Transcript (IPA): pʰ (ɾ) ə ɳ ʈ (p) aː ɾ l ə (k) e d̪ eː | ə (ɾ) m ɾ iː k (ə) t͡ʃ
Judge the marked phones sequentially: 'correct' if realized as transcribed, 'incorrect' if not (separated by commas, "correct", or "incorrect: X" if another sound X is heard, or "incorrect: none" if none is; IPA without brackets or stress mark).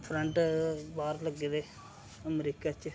correct, incorrect: b, incorrect: ɡ, incorrect: none, incorrect: a